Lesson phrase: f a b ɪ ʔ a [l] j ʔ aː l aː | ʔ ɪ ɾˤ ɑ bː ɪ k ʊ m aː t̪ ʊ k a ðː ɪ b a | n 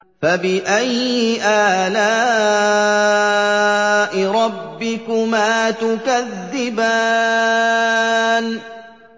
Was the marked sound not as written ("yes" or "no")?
yes